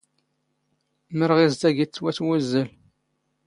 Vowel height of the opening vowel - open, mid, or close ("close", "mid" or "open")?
mid